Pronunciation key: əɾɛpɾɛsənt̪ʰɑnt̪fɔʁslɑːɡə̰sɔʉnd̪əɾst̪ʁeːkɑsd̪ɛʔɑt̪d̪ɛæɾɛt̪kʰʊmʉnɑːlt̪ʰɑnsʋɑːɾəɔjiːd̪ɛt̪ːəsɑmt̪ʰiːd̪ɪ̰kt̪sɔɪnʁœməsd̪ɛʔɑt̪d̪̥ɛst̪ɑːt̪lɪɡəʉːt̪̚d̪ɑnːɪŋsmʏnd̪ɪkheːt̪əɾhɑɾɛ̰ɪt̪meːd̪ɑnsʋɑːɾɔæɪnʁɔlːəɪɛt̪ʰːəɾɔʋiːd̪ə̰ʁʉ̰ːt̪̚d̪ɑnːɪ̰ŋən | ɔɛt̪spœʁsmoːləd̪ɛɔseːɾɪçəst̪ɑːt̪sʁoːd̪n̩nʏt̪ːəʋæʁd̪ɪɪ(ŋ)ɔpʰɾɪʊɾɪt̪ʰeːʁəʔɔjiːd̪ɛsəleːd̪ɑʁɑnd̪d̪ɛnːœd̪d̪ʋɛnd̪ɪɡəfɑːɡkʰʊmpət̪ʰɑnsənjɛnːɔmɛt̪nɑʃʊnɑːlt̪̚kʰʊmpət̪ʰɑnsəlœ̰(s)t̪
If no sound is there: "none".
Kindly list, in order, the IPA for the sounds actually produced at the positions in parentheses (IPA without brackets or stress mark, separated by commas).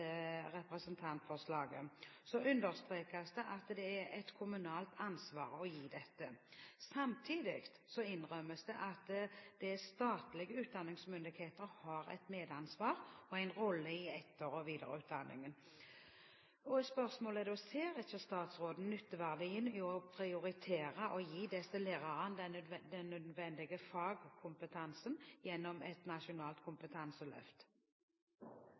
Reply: n, f